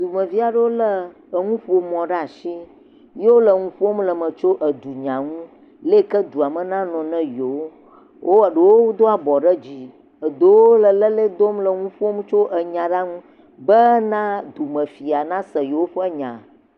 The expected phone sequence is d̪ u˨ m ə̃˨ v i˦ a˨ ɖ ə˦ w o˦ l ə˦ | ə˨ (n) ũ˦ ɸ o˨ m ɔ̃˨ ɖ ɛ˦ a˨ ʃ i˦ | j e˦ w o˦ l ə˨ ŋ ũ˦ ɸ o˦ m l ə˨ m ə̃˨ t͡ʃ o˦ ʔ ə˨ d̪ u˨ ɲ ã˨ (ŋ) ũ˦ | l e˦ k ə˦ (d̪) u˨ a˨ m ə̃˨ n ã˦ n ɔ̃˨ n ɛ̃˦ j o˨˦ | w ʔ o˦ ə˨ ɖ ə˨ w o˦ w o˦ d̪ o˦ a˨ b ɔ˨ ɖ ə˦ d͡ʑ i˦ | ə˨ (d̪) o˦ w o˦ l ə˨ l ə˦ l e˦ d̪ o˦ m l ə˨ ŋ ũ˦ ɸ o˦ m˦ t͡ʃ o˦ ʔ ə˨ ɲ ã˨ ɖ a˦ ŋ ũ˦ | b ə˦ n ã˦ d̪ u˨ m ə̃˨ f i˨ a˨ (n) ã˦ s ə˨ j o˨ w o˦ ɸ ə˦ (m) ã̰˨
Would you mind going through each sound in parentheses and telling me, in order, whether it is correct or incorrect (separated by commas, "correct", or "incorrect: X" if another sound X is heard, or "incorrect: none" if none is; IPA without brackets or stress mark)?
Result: incorrect: ŋ, correct, correct, correct, correct, incorrect: ɲ